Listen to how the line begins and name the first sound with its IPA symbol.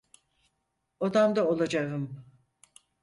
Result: o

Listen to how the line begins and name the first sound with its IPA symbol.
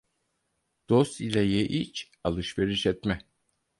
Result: d̪̥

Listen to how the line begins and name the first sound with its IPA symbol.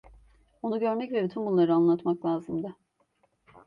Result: o̞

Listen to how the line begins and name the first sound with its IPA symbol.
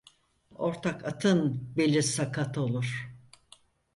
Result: o̞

